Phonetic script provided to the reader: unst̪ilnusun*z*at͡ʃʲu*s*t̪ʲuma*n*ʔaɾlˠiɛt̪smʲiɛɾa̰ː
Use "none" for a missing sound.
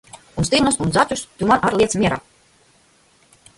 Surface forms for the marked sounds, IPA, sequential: z, s, n

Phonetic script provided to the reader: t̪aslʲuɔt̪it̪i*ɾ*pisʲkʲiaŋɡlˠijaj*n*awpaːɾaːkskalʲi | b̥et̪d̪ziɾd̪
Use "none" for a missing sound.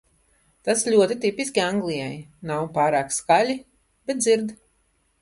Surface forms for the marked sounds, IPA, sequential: none, n

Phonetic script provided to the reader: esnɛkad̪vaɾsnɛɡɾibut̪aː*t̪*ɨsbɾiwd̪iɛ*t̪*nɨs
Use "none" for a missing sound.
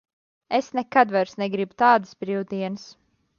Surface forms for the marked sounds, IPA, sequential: d̪, none

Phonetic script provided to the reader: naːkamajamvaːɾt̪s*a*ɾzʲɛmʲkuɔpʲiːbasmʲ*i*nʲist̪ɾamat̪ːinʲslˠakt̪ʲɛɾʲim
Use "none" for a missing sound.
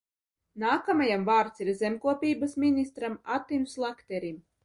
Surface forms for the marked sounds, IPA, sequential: i, i

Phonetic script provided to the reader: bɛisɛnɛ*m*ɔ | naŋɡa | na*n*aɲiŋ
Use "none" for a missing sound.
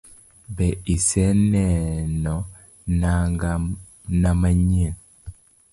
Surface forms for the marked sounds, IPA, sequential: n, m

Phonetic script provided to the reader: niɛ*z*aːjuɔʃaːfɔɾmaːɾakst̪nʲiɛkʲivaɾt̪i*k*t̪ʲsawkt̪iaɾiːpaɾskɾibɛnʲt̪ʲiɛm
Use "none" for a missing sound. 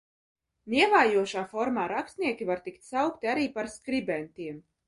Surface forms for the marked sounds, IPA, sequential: v, k

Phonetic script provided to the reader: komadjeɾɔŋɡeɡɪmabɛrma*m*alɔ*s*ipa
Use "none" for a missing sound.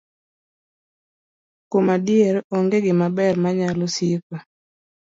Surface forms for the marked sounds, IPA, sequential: ɲ, s

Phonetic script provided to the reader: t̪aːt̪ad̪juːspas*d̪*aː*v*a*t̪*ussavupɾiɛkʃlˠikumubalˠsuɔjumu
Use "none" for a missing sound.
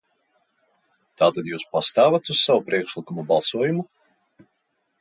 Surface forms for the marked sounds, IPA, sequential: t̪, v, t̪

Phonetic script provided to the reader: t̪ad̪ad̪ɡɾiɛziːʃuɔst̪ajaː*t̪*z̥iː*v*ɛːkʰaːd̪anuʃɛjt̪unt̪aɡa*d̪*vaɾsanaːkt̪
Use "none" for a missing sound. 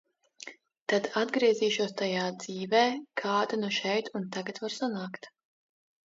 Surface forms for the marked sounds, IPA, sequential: d̪, v, t̪

